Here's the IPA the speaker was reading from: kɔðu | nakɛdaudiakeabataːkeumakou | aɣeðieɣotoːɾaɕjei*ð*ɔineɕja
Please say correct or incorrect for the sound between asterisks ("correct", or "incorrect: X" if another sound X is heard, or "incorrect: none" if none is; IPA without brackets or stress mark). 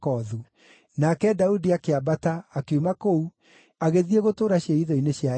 correct